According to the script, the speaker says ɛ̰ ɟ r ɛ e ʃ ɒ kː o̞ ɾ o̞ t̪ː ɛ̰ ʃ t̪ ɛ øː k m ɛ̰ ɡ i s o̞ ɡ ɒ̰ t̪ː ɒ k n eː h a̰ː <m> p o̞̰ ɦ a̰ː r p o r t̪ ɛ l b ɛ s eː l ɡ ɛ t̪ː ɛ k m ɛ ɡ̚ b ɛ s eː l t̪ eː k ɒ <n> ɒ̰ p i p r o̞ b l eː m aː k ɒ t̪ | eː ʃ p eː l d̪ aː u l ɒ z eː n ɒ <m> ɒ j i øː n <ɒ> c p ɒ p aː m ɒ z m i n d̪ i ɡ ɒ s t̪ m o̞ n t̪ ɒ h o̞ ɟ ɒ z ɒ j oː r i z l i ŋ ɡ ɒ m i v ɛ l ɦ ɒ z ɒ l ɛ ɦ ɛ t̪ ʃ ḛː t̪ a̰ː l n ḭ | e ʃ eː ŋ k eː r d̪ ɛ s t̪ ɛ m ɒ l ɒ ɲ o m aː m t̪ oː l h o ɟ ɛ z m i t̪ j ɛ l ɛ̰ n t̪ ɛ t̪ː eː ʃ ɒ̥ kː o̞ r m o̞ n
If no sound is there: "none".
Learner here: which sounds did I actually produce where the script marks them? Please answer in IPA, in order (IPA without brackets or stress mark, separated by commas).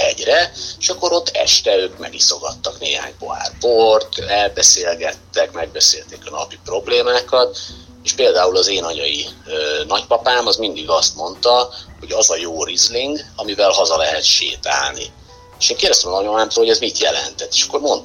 ɲ, n, ɲ, ɒ